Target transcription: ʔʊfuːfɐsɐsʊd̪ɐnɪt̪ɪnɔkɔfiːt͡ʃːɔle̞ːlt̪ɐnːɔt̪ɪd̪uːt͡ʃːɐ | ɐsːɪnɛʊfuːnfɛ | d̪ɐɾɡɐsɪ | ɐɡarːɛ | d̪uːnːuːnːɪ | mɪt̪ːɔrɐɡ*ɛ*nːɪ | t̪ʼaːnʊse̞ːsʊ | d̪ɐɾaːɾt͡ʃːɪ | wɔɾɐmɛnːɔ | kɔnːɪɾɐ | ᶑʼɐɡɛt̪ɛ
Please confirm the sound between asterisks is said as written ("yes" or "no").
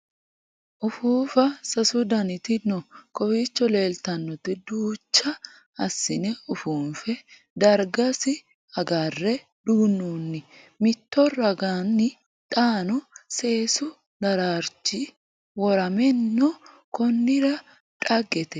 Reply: no